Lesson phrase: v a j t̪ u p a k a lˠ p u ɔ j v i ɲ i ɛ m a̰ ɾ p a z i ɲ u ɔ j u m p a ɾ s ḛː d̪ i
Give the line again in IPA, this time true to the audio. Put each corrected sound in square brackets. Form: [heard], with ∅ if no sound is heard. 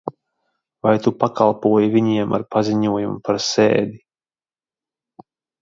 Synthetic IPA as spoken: v a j t̪ u p a k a lˠ p u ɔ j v i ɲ i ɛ m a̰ ɾ p a z i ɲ u ɔ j u m p a ɾ s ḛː d̪ i